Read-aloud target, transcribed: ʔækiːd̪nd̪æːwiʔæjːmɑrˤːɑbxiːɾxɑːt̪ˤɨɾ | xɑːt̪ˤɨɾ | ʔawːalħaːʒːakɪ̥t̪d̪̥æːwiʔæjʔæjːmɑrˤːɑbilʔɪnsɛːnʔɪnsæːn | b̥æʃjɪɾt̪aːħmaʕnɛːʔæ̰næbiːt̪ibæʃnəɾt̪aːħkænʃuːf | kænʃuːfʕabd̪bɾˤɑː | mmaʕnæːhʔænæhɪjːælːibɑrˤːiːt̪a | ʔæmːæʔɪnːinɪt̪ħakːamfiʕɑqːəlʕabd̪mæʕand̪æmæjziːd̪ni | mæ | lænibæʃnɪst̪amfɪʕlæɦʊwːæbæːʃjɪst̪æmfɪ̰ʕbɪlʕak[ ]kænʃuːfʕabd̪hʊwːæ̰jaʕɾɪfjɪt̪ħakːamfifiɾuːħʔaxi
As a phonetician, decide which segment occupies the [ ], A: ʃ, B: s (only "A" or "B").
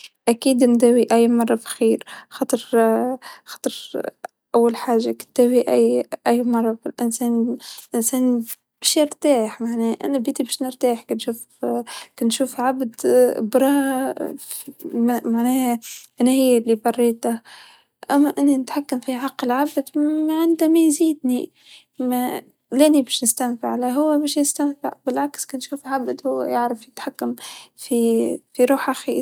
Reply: B